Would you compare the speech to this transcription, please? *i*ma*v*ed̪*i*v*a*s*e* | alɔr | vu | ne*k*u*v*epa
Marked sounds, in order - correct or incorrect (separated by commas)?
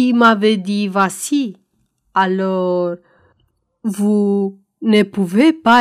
correct, correct, correct, correct, incorrect, incorrect, correct